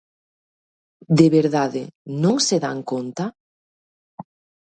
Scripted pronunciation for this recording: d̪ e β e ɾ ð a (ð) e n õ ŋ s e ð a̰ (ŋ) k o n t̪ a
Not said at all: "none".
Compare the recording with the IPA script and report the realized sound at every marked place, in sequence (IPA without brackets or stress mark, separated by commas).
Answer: ð, ŋ